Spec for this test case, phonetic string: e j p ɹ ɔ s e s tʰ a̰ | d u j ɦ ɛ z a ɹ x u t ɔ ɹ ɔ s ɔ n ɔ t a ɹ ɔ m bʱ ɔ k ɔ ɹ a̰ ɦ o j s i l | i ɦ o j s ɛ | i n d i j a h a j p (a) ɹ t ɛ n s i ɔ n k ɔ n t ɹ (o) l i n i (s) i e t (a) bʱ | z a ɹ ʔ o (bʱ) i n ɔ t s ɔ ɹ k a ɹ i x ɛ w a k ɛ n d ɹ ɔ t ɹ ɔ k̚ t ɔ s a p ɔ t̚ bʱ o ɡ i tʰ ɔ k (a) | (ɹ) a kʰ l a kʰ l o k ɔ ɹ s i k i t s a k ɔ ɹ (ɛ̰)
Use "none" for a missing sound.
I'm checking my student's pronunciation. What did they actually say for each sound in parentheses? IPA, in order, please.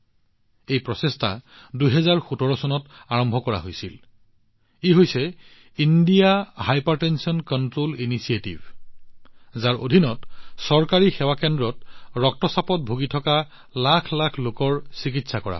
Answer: a, o, s, i, dʱ, a, l, a̰

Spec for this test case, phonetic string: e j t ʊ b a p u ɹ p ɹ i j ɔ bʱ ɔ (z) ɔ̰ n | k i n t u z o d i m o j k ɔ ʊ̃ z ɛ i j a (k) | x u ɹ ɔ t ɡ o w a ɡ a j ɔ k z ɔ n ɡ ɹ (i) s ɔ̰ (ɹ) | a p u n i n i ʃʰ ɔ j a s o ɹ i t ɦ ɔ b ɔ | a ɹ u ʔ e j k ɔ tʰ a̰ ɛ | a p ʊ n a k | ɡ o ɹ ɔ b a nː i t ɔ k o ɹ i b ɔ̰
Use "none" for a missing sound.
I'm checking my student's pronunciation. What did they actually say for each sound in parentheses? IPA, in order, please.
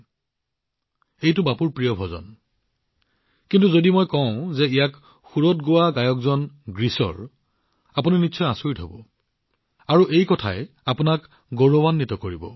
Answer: z, k, i, ɹ

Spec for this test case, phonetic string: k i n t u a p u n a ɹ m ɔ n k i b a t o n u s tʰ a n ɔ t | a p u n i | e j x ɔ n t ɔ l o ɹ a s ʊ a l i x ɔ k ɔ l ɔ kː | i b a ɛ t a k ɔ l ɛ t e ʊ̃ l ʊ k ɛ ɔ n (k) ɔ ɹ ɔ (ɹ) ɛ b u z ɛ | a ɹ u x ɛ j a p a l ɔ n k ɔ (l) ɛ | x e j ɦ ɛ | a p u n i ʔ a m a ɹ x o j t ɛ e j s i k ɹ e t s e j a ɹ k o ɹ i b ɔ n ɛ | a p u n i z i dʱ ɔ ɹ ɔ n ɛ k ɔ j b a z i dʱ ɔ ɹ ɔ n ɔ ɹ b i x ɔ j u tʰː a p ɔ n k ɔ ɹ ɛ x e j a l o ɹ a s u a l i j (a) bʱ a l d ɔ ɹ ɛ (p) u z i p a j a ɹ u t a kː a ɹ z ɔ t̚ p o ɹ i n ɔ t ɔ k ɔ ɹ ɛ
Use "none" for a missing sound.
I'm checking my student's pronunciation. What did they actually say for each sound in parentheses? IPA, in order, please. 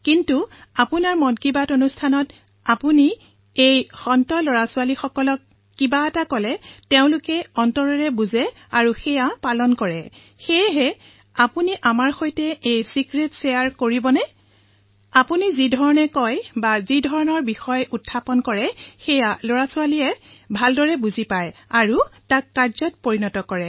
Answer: t, ɹ, ɹ, ɛ, b

